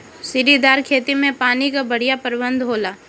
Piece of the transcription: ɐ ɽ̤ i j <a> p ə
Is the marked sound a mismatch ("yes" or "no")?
no